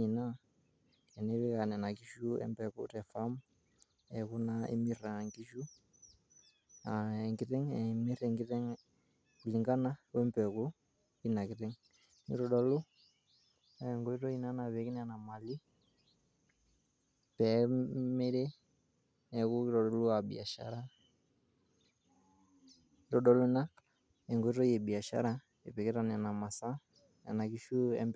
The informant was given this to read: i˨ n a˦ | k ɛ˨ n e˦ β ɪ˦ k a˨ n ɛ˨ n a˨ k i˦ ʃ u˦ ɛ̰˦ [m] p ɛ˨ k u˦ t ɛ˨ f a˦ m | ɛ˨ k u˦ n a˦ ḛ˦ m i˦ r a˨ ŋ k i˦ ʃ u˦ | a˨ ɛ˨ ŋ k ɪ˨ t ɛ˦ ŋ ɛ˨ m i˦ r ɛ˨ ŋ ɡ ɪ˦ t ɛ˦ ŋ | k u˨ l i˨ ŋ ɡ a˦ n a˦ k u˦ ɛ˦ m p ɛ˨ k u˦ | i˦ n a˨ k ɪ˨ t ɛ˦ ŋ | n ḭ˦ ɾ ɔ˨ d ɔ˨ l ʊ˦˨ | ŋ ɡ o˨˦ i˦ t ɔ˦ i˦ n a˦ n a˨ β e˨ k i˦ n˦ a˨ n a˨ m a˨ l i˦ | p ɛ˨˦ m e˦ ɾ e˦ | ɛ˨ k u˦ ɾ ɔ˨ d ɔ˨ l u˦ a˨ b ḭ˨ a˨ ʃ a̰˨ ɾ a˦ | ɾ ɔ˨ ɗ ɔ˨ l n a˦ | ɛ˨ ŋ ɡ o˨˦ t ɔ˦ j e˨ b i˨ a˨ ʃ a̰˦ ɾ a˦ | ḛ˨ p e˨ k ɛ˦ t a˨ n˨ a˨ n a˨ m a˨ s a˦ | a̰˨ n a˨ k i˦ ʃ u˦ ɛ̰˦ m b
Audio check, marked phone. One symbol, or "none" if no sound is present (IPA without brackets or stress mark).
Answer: m